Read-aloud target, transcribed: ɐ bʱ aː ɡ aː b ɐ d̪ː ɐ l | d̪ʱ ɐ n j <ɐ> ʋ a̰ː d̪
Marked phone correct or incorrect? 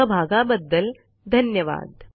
correct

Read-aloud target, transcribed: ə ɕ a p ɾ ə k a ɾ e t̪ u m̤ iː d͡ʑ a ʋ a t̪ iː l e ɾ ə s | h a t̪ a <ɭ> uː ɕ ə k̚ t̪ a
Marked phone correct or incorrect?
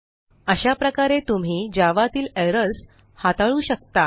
correct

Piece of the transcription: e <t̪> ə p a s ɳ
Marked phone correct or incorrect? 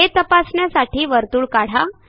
correct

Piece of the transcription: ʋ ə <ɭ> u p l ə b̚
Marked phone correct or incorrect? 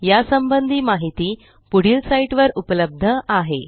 incorrect: ɾ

